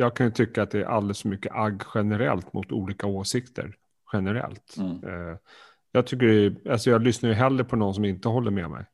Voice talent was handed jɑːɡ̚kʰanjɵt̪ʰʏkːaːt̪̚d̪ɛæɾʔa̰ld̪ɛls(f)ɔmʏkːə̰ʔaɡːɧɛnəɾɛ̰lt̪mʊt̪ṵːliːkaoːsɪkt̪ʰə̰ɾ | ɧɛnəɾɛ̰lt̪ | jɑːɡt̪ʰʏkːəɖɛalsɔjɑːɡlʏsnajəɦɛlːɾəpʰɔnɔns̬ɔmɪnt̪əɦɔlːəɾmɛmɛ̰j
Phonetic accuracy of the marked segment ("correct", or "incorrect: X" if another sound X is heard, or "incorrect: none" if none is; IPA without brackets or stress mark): correct